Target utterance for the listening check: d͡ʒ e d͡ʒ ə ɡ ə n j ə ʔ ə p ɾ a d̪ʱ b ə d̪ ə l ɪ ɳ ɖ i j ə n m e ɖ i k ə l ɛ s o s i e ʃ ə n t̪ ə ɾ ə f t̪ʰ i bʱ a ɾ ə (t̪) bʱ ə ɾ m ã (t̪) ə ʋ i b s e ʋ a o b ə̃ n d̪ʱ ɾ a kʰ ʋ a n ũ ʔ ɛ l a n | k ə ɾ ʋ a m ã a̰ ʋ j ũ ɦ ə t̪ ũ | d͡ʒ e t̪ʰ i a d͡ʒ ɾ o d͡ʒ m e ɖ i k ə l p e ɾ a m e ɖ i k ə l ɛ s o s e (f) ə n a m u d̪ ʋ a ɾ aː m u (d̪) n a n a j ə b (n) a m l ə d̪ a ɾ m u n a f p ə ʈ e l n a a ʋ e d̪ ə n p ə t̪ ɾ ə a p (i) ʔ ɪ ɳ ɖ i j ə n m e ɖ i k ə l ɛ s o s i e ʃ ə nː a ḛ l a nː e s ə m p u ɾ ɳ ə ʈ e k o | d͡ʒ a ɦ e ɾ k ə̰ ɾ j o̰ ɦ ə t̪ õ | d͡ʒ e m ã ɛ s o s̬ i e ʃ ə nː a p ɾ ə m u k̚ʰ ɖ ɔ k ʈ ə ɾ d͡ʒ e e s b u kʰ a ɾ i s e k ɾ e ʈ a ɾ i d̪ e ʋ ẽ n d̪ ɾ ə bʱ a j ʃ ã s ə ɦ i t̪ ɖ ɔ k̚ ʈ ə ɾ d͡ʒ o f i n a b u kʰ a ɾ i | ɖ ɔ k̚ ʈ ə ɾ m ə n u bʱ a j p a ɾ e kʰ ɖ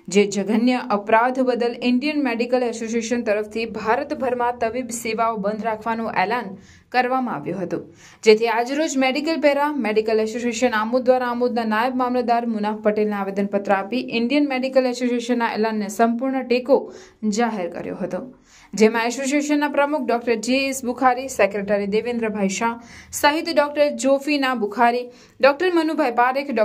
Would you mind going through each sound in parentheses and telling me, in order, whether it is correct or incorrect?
correct, correct, incorrect: ʃ, correct, incorrect: m, correct

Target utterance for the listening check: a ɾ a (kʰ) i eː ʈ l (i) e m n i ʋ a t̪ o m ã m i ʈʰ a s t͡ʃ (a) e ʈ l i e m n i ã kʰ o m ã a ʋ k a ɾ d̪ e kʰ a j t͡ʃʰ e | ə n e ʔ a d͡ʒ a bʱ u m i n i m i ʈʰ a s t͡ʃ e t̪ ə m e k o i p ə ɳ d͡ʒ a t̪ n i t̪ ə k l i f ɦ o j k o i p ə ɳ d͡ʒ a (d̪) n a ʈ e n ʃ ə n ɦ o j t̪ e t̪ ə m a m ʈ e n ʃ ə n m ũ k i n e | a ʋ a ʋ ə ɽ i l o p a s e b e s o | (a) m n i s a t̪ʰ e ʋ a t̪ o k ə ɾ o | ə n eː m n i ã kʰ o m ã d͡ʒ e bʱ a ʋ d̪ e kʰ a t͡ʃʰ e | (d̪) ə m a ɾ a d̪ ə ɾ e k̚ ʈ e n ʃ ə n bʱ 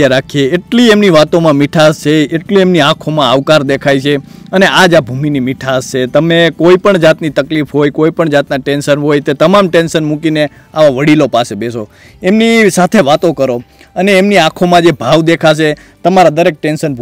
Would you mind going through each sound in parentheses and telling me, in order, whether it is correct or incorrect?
correct, correct, incorrect: e, incorrect: t̪, incorrect: e, incorrect: t̪

